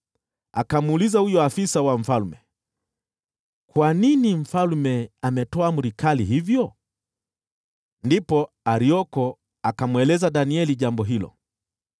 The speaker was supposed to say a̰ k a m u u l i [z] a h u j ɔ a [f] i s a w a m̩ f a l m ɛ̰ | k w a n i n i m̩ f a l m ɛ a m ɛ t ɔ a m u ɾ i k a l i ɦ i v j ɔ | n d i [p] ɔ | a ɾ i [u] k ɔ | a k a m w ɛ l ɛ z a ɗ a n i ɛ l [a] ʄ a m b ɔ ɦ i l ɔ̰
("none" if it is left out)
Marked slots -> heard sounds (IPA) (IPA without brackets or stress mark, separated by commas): z, f, p, ɔ, i